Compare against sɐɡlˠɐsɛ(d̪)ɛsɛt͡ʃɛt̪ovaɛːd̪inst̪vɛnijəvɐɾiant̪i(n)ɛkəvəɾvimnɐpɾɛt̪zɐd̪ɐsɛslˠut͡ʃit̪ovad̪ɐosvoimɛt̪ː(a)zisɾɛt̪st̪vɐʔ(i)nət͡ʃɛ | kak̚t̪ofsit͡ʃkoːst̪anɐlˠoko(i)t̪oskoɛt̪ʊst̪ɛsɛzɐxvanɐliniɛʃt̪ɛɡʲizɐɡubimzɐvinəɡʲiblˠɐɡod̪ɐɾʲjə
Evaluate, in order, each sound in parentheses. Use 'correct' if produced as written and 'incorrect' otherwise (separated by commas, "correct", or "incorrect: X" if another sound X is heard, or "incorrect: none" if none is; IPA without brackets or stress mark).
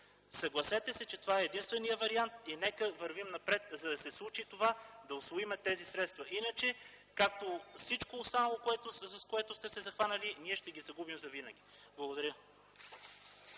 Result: incorrect: t̪, correct, incorrect: ɛ, correct, incorrect: ɛ